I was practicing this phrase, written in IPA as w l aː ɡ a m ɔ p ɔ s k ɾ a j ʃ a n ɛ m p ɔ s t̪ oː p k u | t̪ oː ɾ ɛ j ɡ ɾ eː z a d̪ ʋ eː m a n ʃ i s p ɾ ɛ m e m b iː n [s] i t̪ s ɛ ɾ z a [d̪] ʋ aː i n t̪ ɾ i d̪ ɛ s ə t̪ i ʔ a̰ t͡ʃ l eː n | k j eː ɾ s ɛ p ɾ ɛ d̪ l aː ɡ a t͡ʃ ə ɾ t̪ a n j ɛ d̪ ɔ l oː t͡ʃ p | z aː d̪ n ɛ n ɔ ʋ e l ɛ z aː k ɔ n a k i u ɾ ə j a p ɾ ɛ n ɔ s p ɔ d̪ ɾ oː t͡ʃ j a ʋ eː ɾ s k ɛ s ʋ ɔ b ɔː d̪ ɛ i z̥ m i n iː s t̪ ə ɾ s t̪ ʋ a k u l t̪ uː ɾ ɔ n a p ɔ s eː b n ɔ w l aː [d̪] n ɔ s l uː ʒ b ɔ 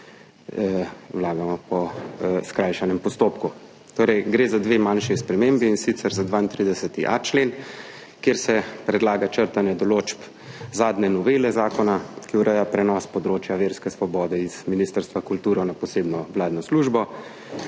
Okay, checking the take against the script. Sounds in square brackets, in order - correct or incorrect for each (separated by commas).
correct, correct, correct